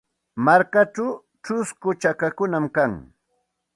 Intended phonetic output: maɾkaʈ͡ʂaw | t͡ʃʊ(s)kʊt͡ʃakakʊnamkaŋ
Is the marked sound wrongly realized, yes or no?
no